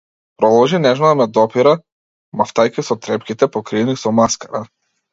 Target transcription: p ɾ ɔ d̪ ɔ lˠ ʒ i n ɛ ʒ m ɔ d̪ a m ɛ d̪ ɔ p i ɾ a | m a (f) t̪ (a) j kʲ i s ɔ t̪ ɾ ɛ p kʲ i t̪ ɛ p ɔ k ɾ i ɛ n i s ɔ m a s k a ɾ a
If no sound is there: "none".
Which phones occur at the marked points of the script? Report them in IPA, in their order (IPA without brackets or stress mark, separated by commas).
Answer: f, a